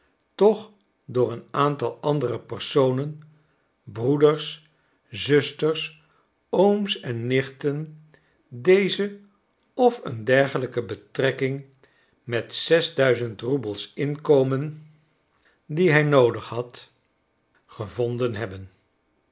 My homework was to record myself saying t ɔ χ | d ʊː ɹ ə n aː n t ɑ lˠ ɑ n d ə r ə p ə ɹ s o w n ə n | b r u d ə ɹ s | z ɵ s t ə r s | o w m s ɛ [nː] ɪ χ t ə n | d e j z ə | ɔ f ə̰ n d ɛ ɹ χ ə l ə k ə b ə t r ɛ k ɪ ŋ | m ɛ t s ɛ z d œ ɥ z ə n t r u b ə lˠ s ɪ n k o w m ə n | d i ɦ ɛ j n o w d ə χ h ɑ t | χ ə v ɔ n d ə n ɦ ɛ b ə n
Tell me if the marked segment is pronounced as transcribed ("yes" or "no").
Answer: yes